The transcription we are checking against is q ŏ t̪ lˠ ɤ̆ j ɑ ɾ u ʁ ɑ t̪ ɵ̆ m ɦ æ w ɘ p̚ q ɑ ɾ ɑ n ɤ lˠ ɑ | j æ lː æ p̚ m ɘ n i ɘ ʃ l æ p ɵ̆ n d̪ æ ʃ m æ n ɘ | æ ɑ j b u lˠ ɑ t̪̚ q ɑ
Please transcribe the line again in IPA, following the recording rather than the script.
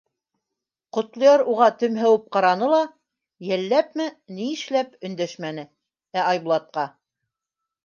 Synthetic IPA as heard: q ŏ t̪ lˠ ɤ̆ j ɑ ɾ u ʁ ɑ t̪ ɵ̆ m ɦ æ w ɘ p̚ q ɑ ɾ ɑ n ɤ lˠ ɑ | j æ lː æ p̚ m ɘ n i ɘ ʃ l æ p ɵ̆ n d̪ æ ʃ m æ n ɘ | æ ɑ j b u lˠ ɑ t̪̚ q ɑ

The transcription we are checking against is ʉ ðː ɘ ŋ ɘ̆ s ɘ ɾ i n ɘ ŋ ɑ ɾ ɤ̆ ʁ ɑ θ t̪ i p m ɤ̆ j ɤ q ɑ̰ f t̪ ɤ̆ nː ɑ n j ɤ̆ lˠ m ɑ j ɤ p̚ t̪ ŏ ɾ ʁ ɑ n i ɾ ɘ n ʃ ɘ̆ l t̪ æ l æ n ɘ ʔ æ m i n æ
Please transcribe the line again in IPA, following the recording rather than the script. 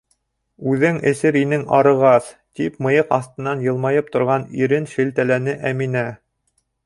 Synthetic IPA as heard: ʉ ð ɘ ŋ ɘ̆ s ɘ ɾ i n ɘ ŋ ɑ ɾ ɤ̆ ʁ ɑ θ t̪ i p m ɤ̆ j ɤ q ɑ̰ θ t̪ ɤ̆ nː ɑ n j ɤ̆ lˠ m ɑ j ɤ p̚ t̪ ŏ ɾ ʁ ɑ n i ɾ ɘ n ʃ ɘ̆ l t̪ æ l æ n ɘ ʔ æ m i n æ

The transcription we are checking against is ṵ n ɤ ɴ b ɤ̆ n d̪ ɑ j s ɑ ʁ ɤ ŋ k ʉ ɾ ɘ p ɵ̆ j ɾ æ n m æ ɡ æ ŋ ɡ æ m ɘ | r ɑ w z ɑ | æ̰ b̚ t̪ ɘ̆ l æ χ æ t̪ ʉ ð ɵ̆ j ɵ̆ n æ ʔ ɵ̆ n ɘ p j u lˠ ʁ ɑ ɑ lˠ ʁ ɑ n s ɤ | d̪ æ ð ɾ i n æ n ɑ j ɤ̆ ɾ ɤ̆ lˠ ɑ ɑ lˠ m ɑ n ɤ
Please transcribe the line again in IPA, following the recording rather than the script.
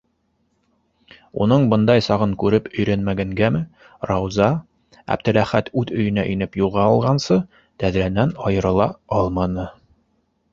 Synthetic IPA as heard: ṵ n ɤ ɴ b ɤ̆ n d̪ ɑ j s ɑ ʁ ɤ ŋ k ʉ ɾ ɘ p ɵ̆ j ɾ æ n m æ ɡ æ ŋ ɡ æ m ɘ | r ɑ w z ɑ | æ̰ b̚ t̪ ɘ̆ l æ χ æ t̪ ʉ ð ɵ̆ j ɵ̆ n æ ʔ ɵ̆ n ɘ p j u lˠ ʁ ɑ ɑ lˠ ʁ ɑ n s ɤ | t̪ æ ð ɾ æ n æ n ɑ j ɤ̆ ɾ ɤ̆ lˠ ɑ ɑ lˠ m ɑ n ɤ

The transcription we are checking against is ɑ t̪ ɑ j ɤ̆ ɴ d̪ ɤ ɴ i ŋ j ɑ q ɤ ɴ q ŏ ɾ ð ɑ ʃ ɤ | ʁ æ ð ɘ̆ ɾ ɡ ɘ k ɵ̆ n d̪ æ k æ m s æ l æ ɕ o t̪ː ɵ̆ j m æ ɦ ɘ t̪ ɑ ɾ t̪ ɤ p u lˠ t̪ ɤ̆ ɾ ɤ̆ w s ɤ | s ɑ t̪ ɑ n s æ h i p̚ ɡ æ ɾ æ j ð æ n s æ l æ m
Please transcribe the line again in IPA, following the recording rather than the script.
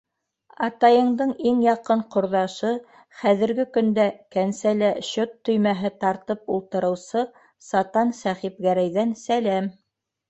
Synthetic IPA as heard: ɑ t̪ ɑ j ɤ̆ ɴ d̪ ɤ ɴ i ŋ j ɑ q ɤ ɴ q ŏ ɾ ð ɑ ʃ ɤ | χ æ ð ɘ̆ ɾ ɡ ɘ k ɵ̆ n d̪ æ k æ n s æ l æ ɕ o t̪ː ɵ̆ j m æ ɦ ɘ t̪ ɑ ɾ t̪ ɤ p u lˠ t̪ ɤ̆ ɾ ɤ̆ w s ɤ | s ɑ t̪ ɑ n s æ χ i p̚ ɡ æ ɾ æ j ð æ n s æ l æ m

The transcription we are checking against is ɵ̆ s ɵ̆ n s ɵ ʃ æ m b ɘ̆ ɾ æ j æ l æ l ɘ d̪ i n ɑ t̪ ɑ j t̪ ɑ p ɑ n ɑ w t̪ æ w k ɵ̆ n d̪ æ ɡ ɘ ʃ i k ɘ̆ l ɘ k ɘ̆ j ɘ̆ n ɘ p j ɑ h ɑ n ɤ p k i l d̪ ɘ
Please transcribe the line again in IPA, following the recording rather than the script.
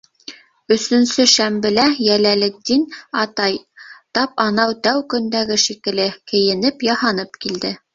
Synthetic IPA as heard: ɵ̆ s ɵ̆ n s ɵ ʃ æ m b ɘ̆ l æ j æ l æ l ɘ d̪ i n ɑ t̪ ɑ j t̪ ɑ p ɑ n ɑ w t̪ æ w k ɵ̆ n d̪ æ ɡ ɘ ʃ i k ɘ̆ l ɘ k ɘ̆ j ɘ̆ n ɘ p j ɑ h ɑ n ɤ p k i l d̪ ɘ

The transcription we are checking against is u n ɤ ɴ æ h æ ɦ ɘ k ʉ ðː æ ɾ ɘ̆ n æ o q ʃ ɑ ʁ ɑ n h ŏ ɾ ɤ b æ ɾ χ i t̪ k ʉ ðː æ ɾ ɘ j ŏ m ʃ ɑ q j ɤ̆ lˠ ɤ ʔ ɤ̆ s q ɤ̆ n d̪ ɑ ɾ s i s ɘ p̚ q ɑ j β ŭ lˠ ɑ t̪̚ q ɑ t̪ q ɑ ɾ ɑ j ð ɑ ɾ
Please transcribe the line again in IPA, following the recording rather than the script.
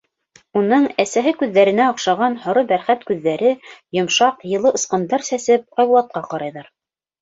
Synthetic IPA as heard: u n ɤ ɴ æ s æ ɦ ɘ k ʉ ðː æ ɾ ɘ̆ n æ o q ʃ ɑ ʁ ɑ n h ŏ ɾ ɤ b æ ɾ χ æ t̪ k ʉ ðː æ ɾ ɘ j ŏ m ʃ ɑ q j ɤ̆ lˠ ɤ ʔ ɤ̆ s q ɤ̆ n d̪ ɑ ɾ s æ s ɘ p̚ q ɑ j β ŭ lˠ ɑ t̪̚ q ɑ q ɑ ɾ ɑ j ð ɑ ɾ

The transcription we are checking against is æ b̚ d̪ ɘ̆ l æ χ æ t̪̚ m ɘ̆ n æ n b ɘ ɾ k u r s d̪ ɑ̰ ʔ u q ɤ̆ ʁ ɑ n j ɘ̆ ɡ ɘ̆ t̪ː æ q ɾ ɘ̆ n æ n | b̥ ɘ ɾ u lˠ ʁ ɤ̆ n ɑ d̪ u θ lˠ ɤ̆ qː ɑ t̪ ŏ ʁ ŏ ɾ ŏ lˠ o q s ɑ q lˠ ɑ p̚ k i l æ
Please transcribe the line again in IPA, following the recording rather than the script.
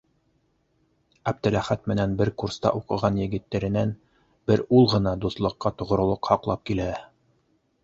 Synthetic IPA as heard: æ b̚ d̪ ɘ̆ l æ χ æ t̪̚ m ɘ̆ n æ n b ɘ ɾ k u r s t̪ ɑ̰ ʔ u q ɤ̆ ʁ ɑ n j ɘ̆ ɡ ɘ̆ t̪ː æ ɾ ɘ̆ n æ n | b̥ ɘ ɾ u lˠ ʁ ɤ̆ n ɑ d̪ u θ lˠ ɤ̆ qː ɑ t̪ ŏ ʁ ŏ ɾ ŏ lˠ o q h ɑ q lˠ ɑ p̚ k i l æ

